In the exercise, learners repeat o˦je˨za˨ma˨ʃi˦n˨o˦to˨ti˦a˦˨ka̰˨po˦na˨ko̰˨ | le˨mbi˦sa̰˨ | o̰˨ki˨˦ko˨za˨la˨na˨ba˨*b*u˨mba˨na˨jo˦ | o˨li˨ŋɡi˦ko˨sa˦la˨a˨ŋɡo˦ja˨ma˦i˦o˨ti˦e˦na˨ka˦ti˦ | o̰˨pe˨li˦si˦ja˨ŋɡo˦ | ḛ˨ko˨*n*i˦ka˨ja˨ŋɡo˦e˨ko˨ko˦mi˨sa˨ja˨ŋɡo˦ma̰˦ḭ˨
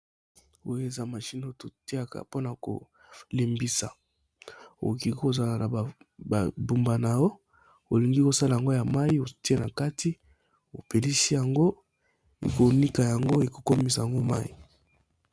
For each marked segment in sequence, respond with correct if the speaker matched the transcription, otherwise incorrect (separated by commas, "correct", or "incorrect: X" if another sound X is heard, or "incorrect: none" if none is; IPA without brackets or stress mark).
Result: correct, correct